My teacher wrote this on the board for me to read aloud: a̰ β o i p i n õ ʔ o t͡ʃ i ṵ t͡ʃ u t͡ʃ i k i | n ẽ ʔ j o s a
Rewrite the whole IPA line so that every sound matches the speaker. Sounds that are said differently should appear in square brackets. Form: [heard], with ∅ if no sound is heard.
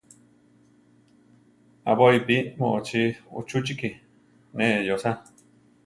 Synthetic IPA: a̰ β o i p i [m] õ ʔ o t͡ʃ i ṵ t͡ʃ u t͡ʃ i k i | n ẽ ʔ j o s a